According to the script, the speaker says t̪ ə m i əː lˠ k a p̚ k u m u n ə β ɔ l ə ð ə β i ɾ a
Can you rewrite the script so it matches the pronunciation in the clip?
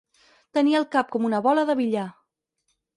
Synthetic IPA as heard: t̪ ə n i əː lˠ k a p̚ k ɔ m u n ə β ɔ l ə ð ə β i ʎ a